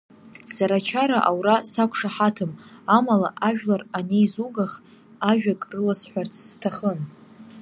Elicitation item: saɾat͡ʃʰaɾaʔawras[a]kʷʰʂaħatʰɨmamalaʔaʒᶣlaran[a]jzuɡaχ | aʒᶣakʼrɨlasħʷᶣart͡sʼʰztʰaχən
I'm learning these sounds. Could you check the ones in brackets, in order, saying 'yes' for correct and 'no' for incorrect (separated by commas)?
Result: yes, no